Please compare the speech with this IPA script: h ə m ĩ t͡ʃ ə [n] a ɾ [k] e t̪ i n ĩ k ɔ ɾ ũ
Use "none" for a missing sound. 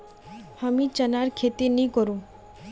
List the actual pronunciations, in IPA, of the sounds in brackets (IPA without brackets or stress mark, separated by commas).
n, kʰ